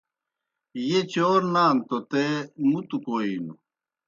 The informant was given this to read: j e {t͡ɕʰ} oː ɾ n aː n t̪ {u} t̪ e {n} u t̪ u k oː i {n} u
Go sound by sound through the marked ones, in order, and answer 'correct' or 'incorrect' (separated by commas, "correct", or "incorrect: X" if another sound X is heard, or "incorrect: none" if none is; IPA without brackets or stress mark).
incorrect: t͡ɕ, incorrect: o, incorrect: m, correct